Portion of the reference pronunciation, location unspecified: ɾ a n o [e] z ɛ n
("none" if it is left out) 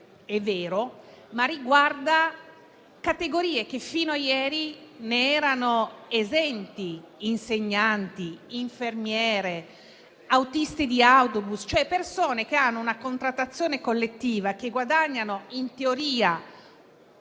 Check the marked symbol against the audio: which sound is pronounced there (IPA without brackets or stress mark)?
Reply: e